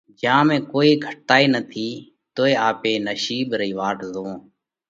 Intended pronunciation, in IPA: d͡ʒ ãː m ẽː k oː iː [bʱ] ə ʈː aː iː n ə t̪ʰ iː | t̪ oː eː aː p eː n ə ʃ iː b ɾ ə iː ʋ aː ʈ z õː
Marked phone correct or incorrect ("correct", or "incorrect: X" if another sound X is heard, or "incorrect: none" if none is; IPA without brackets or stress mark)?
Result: incorrect: ɡʱ